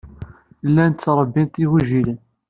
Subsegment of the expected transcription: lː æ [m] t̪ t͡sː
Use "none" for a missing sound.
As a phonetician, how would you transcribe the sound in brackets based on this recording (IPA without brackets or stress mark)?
n